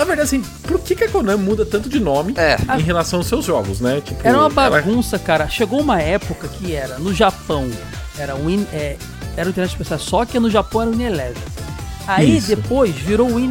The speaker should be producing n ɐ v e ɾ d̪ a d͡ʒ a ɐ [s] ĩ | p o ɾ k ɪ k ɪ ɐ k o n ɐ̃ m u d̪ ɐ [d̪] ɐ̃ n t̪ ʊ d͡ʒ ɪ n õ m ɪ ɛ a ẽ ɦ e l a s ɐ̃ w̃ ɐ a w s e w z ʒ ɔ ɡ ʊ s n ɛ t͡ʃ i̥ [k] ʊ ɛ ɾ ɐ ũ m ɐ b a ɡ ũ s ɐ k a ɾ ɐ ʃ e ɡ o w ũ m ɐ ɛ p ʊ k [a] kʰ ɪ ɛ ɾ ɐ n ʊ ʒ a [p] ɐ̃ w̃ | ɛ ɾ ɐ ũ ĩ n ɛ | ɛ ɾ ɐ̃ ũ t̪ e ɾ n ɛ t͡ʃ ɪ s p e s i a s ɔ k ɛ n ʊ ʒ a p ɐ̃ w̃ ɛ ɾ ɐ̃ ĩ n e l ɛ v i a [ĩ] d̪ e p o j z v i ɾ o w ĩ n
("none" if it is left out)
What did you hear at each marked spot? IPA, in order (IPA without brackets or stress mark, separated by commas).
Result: s, t̪, p, ɐ, p, i